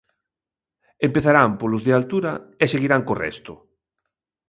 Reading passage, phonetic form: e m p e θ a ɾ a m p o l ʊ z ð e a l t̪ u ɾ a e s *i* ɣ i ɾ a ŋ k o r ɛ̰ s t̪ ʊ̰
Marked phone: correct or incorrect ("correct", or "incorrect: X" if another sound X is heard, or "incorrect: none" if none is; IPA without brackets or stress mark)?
incorrect: e